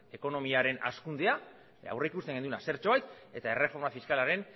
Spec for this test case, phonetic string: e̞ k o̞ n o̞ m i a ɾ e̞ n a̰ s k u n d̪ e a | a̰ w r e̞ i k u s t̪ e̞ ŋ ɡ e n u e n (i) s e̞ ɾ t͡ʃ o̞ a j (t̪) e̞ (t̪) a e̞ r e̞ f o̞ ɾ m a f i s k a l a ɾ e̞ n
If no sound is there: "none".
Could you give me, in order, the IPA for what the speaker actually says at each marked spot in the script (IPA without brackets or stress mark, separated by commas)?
a, t̪, t̪